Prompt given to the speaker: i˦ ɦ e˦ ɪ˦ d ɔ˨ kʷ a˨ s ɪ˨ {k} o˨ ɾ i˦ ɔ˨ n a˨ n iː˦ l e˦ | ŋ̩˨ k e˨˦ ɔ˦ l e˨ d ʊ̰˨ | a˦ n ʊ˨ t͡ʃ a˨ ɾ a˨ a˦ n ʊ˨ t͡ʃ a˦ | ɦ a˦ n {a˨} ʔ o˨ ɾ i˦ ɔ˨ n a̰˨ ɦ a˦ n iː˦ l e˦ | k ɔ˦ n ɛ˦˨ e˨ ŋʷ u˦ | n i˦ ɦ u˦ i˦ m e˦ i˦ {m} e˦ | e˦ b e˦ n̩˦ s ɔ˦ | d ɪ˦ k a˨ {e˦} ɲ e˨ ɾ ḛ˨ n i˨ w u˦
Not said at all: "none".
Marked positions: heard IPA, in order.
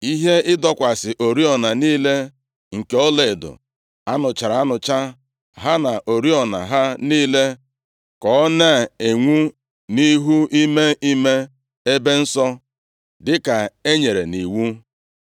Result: ʔ, a˨, m, e˦

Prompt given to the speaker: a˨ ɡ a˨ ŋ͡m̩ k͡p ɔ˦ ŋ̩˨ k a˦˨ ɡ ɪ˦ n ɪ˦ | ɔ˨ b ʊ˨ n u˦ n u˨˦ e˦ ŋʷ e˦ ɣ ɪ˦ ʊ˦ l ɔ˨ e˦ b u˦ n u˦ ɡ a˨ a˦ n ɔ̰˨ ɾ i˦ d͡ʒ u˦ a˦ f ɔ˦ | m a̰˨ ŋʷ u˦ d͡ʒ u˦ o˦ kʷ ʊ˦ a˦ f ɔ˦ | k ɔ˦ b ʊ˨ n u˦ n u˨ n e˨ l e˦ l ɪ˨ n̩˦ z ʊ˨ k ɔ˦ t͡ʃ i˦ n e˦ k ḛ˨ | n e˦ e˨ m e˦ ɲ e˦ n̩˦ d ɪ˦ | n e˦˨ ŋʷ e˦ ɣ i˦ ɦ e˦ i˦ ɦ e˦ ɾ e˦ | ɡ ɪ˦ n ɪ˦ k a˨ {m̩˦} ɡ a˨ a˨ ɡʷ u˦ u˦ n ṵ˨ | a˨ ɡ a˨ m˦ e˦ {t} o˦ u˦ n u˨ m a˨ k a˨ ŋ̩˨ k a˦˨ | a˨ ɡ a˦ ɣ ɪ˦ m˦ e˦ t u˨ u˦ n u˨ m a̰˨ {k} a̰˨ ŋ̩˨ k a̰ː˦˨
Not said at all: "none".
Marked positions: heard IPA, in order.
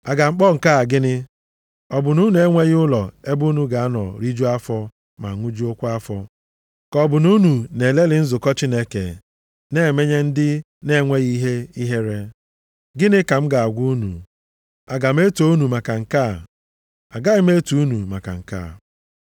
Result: m̩˦, t, k

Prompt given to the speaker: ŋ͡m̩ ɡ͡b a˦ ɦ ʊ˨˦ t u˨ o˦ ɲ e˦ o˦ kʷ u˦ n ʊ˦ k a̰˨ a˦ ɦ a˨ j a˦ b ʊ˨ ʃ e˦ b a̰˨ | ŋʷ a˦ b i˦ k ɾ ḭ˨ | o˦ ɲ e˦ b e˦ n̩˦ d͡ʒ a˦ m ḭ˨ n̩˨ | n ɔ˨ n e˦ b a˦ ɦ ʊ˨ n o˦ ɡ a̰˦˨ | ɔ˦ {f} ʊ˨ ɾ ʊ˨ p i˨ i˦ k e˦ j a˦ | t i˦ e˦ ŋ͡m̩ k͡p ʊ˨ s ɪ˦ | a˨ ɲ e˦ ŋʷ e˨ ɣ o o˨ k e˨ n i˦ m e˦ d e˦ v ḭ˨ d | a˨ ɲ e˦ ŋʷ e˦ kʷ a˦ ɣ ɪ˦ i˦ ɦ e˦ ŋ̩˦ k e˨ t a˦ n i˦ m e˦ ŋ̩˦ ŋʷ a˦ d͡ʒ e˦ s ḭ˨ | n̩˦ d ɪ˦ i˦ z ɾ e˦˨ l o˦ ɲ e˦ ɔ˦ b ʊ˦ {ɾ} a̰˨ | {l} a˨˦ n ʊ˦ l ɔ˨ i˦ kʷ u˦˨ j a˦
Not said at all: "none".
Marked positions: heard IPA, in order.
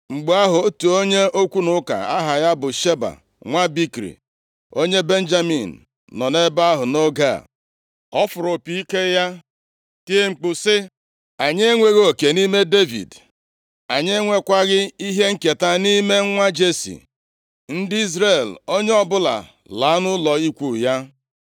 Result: f, l, l

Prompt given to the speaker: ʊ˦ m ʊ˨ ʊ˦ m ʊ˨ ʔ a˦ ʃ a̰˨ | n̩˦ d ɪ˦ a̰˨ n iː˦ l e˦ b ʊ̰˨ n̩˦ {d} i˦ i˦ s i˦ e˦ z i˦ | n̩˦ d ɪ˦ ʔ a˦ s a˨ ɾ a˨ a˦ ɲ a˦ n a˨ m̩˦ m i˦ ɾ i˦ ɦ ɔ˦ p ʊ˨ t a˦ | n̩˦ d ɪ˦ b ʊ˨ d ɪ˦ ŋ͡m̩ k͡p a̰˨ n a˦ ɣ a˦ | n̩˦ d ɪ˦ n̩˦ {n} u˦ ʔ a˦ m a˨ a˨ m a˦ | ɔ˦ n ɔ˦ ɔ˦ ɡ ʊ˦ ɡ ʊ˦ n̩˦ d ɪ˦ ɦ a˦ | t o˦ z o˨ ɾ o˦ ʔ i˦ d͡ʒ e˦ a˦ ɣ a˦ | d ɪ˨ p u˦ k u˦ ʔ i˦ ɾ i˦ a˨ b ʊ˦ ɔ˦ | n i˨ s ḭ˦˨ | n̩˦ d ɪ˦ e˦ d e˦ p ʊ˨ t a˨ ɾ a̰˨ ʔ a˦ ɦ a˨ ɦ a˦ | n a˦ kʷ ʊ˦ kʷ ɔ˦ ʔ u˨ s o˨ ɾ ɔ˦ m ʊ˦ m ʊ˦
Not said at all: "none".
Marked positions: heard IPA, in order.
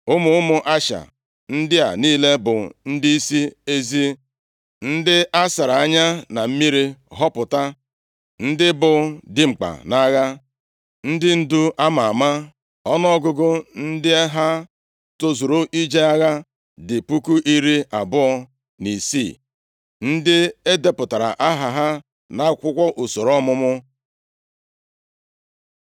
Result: d, d

